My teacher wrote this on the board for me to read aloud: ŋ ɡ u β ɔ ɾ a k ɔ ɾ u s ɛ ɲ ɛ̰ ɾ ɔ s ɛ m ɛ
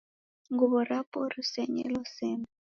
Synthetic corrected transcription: ŋ ɡ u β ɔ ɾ a p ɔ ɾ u s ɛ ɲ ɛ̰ l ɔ s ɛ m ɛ